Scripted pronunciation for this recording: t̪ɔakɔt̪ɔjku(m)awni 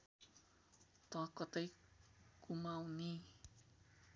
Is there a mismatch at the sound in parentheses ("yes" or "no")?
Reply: no